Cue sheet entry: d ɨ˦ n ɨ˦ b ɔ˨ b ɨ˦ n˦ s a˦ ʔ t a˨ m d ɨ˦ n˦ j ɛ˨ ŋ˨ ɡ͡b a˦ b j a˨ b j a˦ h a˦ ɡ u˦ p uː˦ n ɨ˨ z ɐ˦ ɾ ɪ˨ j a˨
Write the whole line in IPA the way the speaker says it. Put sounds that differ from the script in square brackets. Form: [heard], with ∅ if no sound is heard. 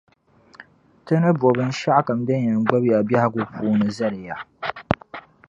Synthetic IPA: [t] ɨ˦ n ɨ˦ b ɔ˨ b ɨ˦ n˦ [ʃ] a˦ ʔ [k] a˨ m d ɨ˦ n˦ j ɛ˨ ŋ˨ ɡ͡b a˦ b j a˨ b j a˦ h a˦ ɡ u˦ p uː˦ n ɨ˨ z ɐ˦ ɾ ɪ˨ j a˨